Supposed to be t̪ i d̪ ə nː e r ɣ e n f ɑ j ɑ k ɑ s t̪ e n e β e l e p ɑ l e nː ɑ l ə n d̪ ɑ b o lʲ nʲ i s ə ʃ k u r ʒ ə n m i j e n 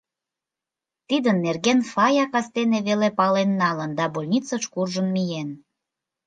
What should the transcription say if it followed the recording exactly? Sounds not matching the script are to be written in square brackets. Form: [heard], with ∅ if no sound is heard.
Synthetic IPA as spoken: t̪ i d̪ ə nː e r ɣ e n f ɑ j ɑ k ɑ s t̪ e n e β e l e p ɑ l e nː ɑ l ə n d̪ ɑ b o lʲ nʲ i [t͡s] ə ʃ k u r ʒ ə n m i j e n